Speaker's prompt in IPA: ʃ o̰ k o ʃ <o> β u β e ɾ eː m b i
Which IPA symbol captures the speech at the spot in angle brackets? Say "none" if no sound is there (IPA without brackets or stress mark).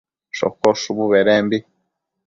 u